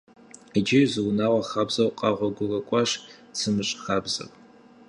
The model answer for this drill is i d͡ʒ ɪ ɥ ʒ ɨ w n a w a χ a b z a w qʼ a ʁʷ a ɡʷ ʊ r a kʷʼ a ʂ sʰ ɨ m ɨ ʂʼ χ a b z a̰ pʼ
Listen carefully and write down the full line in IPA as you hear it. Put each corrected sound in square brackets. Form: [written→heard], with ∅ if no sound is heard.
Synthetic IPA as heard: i d͡ʒ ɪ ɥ [ʒ→z] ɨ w n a w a χ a b z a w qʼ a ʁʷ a ɡʷ ʊ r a kʷʼ a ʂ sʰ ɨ m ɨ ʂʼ χ a b z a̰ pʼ